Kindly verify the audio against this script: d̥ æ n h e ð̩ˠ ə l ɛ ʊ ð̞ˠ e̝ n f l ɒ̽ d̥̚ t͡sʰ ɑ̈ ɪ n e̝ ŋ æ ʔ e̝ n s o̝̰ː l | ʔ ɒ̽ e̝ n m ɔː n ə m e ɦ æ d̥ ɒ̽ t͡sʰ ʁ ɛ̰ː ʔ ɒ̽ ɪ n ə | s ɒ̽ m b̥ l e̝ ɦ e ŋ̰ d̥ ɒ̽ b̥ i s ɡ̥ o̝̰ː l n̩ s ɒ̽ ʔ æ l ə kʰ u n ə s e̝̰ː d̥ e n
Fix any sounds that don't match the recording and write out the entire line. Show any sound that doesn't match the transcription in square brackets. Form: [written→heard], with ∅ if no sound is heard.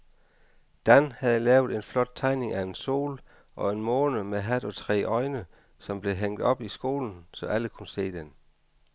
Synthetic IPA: d̥ æ n h [e→æ] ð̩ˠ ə l [ɛ→ɛː] ʊ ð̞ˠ e̝ n f l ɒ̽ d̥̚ t͡sʰ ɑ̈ ɪ n e̝ ŋ æ [ʔ→∅] e̝ n s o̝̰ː l | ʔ ɒ̽ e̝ n m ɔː n ə m e ɦ æ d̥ ɒ̽ t͡sʰ ʁ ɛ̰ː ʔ ɒ̽ ɪ n ə | s ɒ̽ m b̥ l e̝ ɦ e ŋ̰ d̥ ɒ̽ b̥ i s ɡ̥ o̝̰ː l n̩ s ɒ̽ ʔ æ l ə kʰ u n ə s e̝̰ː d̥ e n